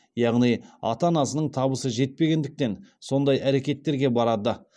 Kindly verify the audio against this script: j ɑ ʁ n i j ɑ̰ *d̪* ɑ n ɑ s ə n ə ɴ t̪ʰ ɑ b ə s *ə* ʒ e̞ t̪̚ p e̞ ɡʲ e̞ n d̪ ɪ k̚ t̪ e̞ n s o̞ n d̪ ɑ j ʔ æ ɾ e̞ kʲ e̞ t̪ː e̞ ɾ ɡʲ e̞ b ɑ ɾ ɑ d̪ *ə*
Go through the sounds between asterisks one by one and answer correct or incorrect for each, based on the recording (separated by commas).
incorrect, correct, correct